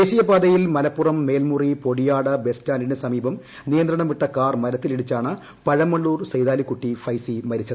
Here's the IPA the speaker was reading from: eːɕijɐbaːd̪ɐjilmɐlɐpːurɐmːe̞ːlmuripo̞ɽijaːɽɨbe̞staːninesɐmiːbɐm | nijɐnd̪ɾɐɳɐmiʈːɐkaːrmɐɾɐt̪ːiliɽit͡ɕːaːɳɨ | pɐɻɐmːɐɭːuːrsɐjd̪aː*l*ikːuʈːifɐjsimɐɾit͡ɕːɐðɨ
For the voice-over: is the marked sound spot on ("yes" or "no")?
yes